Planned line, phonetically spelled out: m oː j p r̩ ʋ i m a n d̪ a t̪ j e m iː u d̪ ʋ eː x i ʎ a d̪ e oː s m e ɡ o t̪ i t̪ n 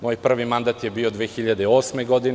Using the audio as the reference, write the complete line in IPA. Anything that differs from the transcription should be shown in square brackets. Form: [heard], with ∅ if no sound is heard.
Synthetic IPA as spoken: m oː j p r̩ ʋ i m a n d̪ a t̪ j e [b] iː [o] d̪ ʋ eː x i ʎ a d̪ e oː s m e ɡ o [d̪] i [∅] n